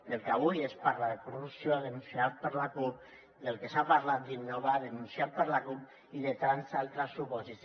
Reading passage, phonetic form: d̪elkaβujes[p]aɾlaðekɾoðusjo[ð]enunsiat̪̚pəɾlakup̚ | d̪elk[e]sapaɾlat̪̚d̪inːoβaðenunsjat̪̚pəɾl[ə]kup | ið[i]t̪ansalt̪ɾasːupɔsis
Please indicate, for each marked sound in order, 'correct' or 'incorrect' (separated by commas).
correct, correct, correct, incorrect, incorrect